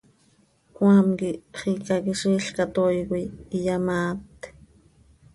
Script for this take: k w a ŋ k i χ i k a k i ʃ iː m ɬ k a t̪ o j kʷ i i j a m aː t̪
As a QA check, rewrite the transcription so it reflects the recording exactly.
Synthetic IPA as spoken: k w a m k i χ i k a k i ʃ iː ɬ k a t̪ o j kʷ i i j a m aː t̪

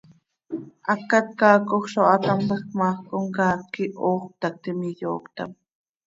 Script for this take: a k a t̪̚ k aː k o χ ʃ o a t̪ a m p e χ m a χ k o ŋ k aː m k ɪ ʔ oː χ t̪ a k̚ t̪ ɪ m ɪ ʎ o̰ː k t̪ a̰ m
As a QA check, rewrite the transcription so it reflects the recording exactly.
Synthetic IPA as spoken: a k a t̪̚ k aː k o χ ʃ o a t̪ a m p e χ m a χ k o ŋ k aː k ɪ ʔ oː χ t̪ a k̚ t̪ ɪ m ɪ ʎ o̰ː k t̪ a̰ m

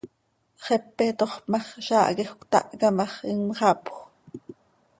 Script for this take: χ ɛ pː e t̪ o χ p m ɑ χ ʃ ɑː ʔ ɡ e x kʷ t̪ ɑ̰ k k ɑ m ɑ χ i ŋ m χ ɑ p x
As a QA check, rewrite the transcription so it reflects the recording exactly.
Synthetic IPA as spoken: χ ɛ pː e t̪ o χ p m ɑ χ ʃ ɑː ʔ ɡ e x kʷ t̪ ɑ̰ ʔ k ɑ m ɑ χ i ŋ m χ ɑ p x

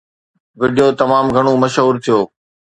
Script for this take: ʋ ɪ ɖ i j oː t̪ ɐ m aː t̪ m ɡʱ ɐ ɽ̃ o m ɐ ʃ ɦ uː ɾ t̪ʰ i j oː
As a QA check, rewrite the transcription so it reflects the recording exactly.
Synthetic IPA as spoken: ʋ ɪ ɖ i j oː t̪ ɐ m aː m ɡʱ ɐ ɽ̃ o m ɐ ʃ ɦ uː ɾ t̪ʰ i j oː

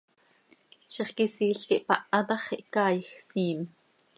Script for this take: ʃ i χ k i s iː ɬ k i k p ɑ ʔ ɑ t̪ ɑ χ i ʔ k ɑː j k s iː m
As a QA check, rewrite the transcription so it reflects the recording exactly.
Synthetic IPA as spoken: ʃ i χ k i s iː ɬ k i ʔ p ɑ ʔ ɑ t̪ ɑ χ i ʔ k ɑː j x s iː m

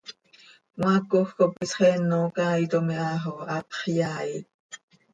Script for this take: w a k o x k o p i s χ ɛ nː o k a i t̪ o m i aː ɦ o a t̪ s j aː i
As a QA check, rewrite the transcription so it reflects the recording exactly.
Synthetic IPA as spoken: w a k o x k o p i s χ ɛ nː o k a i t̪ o m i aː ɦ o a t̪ χ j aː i

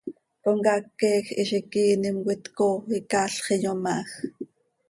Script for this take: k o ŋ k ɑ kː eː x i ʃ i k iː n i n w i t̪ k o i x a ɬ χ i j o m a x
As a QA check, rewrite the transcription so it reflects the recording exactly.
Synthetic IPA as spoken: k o ŋ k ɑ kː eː x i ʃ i k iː n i m w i t̪ k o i k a ɬ χ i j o m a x

